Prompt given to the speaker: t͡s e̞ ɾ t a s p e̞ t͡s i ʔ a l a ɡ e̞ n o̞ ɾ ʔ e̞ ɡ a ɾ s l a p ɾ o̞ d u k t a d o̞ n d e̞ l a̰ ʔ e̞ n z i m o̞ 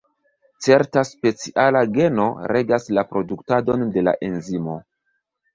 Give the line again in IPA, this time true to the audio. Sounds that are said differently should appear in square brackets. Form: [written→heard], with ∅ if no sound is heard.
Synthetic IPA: t͡s e̞ ɾ t a s p e̞ t͡s i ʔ a l a ɡ e̞ n o̞ ɾ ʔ e̞ ɡ a [ɾ→∅] s l a p ɾ o̞ d u k t a d o̞ n d e̞ l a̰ ʔ e̞ n z i m o̞